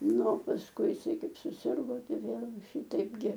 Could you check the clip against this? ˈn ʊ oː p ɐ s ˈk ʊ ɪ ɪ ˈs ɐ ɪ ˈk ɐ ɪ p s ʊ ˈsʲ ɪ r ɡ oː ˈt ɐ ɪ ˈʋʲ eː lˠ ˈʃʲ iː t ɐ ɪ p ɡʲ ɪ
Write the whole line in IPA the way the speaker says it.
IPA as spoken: ˈn ʊ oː p ɐ s ˈk ʊ ɪ ɪ ˈs ɐ ɪ ˈk ɐ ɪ p s ʊ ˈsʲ ɪ r ɡ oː ˈt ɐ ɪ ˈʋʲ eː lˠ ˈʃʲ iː t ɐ ɪ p ɡʲ ɪ